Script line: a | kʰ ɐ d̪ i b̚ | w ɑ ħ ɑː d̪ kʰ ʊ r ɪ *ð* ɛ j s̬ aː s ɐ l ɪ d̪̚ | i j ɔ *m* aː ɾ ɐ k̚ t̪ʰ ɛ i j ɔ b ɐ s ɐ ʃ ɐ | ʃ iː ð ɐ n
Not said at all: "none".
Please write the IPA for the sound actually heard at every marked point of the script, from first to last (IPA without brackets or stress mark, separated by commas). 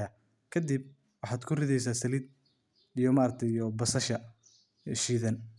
ð, m